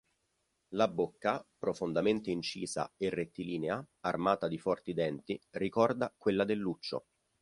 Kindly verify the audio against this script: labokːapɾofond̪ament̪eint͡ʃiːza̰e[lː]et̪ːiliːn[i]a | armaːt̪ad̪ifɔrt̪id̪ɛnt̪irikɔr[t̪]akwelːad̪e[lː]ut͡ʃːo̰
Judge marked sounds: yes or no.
no, no, no, yes

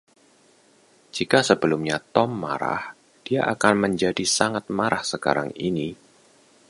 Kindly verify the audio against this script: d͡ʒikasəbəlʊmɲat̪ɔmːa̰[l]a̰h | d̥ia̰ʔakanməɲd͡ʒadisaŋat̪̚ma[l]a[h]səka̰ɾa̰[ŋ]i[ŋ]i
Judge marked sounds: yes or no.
no, no, yes, yes, no

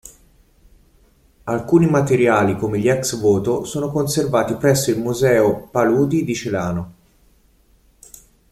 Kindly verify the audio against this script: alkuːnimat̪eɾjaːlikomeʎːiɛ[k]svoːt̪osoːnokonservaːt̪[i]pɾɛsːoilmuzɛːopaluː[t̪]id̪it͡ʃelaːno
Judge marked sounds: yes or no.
yes, yes, no

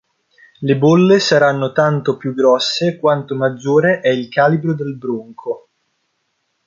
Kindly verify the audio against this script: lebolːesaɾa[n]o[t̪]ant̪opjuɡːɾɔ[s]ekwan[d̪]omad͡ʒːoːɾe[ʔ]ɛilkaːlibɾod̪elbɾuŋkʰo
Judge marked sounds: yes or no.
no, yes, no, no, yes

